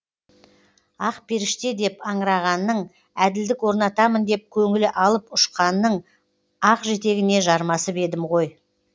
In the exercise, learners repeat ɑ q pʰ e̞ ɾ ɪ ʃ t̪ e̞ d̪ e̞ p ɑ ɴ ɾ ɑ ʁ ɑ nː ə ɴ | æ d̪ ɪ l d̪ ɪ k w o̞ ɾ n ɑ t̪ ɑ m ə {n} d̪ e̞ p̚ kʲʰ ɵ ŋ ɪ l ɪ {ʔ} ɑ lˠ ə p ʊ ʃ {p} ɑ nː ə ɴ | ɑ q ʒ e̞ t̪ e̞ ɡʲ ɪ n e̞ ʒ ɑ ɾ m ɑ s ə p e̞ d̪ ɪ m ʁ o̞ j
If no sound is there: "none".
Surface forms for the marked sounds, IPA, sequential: n, ʔ, q

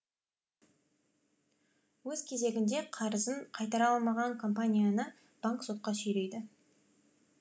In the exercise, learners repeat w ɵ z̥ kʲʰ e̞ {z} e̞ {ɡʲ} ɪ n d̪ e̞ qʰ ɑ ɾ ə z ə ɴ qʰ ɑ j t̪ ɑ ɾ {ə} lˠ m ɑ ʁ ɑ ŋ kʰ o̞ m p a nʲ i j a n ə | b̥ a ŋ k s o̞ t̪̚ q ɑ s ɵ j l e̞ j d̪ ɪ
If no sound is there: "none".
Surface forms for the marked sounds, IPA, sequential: z, ɡʲ, ɑ

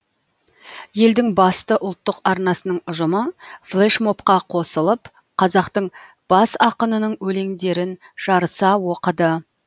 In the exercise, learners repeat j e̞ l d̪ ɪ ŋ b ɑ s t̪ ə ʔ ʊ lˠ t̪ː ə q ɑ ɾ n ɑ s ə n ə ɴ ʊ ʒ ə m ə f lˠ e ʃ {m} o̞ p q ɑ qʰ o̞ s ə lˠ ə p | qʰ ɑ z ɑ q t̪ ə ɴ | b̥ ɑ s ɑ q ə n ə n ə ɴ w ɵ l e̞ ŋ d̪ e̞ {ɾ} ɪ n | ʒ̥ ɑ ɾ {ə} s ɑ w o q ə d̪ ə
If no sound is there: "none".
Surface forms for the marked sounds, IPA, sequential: m, ɾ, ə

